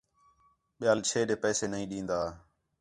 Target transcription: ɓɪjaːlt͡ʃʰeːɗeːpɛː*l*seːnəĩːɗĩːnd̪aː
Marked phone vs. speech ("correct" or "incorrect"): incorrect